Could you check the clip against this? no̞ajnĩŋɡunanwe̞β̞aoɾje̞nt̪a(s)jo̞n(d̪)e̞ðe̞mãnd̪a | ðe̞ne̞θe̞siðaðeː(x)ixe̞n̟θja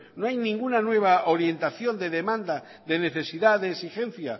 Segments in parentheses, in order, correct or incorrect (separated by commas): incorrect, correct, incorrect